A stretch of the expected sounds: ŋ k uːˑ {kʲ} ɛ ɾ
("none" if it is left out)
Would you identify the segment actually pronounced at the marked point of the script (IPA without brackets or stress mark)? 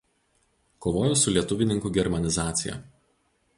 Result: ɡʲ